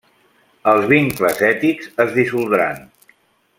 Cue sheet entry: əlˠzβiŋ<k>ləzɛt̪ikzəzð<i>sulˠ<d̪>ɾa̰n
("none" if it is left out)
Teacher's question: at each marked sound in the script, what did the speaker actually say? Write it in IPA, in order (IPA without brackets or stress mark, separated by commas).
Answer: k, i, d̪